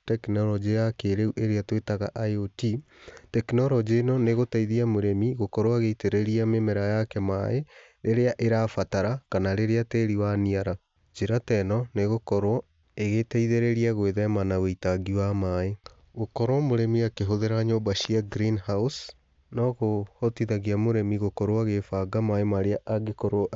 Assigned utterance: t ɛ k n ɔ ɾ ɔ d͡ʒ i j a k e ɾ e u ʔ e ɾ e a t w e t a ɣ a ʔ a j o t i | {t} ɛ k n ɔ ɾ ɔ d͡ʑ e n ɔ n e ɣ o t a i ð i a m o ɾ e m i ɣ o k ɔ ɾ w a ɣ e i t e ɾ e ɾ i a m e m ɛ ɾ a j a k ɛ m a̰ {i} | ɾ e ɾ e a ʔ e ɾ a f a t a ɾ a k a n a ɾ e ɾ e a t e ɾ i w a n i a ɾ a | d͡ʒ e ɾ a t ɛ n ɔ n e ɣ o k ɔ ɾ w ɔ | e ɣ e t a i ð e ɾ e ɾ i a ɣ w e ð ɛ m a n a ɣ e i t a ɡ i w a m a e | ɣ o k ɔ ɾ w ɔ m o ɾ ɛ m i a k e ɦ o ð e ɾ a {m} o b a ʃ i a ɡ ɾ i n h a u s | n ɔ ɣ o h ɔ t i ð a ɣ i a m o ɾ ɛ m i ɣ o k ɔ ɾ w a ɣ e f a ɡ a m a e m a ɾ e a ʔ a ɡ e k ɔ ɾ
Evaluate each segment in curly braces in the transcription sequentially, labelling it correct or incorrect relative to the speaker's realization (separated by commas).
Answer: correct, incorrect, incorrect